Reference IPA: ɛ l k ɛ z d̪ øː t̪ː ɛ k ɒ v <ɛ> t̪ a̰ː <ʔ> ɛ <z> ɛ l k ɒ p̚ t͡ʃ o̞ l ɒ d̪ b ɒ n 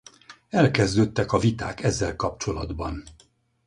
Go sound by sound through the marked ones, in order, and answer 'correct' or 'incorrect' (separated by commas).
incorrect, incorrect, incorrect